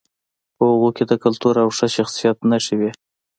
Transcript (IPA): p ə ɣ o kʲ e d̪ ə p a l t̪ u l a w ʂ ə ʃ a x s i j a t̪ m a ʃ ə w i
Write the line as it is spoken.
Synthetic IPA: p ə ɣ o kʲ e d̪ ə k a l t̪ u ɾ a w ʂ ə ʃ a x s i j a t̪ n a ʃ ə w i